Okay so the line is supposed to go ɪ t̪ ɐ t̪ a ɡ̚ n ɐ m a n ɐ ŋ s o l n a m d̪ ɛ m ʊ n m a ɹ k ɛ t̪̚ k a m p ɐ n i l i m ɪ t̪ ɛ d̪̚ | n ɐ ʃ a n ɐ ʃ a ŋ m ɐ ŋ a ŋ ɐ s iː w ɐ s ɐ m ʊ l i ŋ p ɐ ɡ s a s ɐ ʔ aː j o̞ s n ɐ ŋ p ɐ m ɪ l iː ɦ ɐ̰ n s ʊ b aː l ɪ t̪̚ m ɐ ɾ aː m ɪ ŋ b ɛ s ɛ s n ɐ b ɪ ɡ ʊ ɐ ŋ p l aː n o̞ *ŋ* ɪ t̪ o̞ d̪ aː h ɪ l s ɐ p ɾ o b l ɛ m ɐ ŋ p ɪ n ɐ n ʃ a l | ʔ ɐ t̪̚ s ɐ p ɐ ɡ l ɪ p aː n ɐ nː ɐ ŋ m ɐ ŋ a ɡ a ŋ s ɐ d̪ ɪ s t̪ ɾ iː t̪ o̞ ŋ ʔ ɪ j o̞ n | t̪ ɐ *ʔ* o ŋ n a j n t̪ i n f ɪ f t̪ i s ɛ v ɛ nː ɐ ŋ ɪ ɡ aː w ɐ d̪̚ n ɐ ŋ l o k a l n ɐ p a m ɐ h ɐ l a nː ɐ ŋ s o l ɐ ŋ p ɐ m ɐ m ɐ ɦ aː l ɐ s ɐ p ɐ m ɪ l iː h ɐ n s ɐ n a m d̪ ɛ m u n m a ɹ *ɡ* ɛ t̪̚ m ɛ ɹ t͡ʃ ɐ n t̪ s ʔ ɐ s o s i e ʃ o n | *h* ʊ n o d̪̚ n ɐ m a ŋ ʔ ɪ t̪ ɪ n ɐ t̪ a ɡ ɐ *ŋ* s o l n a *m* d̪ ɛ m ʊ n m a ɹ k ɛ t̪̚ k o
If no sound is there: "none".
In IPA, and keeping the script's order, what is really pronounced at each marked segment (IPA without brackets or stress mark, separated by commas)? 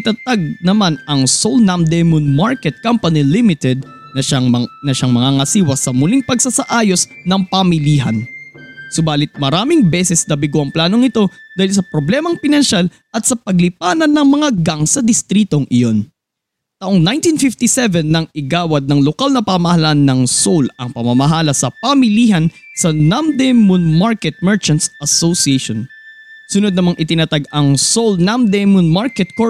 ŋ, ʔ, k, s, ŋ, m